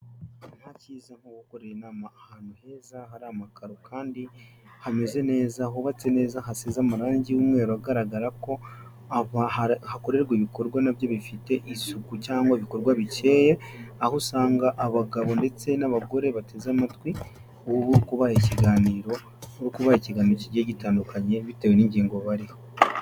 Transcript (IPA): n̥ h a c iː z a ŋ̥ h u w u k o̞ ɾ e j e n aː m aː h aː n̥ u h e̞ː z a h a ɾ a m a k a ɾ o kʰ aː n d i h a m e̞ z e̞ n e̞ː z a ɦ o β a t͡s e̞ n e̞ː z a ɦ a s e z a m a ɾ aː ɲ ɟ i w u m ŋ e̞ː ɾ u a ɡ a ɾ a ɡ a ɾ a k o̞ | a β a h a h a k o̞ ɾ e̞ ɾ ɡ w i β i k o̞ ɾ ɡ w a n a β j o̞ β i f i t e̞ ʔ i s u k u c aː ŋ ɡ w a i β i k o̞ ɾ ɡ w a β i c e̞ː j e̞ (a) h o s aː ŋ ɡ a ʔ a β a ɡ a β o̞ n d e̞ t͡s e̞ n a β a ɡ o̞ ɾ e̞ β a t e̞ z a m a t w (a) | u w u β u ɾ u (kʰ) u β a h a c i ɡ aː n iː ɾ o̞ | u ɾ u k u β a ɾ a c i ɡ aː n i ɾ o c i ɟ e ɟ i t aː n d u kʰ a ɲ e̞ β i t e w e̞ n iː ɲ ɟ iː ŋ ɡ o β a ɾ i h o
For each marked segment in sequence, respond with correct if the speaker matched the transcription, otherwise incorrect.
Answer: correct, incorrect: i, incorrect: k

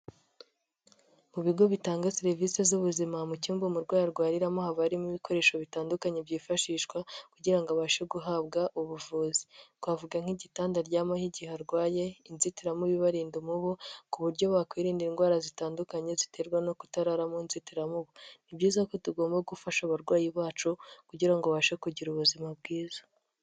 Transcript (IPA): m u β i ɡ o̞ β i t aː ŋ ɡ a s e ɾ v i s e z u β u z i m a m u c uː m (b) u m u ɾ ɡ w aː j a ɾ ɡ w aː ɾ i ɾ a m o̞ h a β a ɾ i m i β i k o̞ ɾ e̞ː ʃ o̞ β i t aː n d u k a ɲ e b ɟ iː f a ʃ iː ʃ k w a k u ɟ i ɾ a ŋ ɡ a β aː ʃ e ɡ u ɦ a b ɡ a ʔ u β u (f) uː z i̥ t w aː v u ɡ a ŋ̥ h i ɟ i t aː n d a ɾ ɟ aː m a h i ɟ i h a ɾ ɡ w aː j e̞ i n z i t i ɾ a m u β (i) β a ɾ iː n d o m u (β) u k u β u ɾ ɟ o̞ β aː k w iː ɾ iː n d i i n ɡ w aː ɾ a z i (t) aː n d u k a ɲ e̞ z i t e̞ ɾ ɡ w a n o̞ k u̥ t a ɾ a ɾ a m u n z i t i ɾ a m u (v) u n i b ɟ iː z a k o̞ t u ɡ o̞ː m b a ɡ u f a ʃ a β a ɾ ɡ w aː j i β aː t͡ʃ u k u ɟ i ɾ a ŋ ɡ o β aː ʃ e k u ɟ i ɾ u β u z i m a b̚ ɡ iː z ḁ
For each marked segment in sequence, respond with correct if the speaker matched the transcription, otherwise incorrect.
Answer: correct, incorrect: v, correct, correct, correct, incorrect: β

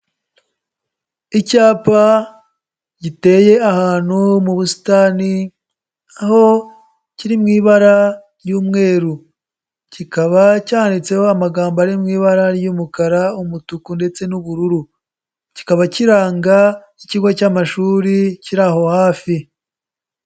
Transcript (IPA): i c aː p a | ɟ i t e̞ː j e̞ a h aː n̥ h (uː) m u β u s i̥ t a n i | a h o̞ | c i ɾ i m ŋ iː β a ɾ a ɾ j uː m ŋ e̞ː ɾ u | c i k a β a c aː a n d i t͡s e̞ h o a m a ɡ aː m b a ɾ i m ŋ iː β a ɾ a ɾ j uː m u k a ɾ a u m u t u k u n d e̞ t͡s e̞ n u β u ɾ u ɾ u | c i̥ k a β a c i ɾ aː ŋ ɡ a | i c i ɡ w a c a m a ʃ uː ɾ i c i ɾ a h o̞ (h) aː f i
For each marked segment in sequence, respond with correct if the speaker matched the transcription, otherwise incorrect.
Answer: incorrect: u, correct

